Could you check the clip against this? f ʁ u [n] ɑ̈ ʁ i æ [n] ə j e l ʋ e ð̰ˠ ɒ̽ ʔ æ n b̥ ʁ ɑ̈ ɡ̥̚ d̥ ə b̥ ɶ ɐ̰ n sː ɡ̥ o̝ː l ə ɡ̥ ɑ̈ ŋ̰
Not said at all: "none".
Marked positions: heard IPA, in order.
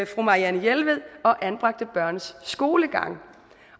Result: m, n

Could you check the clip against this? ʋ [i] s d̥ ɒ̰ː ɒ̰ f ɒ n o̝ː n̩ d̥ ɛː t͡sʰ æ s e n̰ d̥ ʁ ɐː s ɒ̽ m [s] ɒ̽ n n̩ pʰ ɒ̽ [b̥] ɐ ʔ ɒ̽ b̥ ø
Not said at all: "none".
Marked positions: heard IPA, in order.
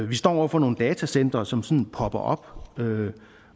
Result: i, s, b̥

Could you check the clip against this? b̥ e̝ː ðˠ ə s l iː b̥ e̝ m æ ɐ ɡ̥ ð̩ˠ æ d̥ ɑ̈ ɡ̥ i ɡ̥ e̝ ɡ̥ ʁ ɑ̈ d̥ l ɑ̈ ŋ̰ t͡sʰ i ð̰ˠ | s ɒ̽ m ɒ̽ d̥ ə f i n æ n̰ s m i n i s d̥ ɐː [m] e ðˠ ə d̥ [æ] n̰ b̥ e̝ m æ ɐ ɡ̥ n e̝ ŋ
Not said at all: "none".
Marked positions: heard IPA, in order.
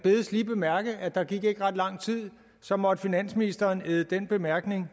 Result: n, e

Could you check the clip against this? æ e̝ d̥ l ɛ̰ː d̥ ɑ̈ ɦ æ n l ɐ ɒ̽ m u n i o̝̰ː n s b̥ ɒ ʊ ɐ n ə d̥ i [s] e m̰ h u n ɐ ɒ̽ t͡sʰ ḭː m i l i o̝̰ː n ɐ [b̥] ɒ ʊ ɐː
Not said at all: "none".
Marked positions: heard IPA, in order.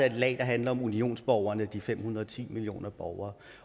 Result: f, b̥

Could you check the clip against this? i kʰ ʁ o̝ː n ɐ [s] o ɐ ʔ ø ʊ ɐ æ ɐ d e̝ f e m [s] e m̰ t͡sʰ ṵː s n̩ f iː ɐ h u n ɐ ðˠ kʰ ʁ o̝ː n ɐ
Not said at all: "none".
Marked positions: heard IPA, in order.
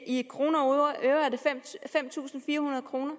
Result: none, f

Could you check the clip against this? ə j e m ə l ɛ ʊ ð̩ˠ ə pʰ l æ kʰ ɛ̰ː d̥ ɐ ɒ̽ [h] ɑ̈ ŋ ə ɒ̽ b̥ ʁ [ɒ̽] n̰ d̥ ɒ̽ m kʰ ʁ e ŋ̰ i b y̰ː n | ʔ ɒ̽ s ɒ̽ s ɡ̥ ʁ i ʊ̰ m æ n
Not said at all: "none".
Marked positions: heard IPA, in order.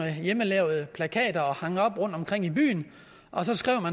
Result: h, ɔ̽

